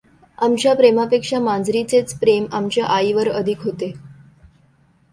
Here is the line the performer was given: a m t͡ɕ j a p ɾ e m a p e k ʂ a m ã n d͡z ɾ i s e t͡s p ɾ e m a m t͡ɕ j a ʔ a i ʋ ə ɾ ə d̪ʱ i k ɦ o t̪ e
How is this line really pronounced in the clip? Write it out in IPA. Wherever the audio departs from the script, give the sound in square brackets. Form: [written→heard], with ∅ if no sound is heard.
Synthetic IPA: a m t͡ɕ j a p ɾ e m a p e k ʂ a m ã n d͡z ɾ i [s→t͡s] e t͡s p ɾ e m a m t͡ɕ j a ʔ a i ʋ ə ɾ ə d̪ʱ i k ɦ o t̪ e